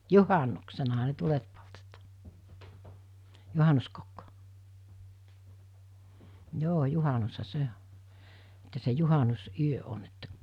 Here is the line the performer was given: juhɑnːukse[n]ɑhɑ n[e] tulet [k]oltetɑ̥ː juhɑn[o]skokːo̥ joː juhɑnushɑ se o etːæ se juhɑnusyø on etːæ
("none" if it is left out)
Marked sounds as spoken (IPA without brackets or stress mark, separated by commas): n, e, p, u